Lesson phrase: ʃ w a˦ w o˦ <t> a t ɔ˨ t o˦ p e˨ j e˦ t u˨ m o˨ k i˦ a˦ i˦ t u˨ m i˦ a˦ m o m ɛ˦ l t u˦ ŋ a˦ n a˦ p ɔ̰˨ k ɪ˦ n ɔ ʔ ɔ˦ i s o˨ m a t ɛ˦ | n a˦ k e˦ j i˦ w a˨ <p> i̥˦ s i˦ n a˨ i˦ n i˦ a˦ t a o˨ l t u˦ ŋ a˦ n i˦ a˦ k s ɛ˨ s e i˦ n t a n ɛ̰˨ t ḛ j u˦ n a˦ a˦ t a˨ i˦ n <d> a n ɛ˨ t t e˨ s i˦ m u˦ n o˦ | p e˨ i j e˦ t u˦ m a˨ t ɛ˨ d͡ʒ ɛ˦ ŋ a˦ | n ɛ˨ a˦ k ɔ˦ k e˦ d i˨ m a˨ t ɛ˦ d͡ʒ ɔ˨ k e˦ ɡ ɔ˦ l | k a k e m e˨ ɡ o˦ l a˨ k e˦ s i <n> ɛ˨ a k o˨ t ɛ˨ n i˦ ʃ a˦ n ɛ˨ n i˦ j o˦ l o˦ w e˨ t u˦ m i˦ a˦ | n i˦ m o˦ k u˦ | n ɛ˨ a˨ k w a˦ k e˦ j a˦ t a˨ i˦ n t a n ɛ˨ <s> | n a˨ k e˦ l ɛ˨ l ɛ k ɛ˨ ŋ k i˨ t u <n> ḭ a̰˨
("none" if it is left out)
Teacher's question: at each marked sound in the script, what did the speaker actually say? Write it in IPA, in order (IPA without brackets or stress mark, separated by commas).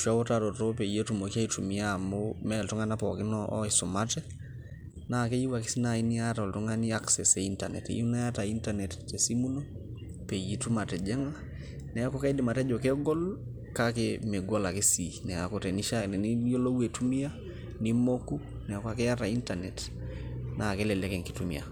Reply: t, k, t, n, t, m